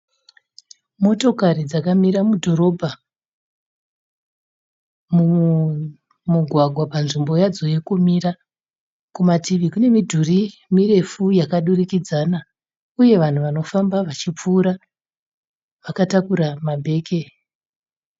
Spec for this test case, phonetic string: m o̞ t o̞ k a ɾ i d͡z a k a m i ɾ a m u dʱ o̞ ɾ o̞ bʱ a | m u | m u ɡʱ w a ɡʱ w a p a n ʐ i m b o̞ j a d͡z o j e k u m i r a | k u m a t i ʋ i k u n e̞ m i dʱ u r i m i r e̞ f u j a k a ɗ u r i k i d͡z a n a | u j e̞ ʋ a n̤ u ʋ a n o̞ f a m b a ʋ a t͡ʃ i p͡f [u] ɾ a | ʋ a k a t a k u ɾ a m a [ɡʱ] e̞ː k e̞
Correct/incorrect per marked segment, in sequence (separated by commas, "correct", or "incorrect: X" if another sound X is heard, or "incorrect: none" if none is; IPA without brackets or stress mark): incorrect: uː, incorrect: bʱ